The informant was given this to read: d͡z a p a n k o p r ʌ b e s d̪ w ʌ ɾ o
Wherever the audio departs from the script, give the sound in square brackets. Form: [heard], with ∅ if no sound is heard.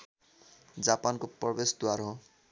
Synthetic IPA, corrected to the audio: d͡z a p a n k o p r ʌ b e s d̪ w [a] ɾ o